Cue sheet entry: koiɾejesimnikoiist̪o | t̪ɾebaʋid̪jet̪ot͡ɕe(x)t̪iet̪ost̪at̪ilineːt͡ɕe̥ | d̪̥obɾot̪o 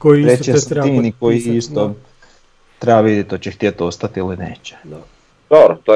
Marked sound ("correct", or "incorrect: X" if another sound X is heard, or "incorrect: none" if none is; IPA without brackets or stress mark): correct